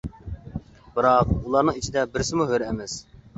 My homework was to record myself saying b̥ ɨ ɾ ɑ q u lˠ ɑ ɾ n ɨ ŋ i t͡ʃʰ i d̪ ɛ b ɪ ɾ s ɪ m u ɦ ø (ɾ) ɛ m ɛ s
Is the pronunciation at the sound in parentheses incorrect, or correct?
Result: correct